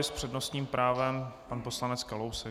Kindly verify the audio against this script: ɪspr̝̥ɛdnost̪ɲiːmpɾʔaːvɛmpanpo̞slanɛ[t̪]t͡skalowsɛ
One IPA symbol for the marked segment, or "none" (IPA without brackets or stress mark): none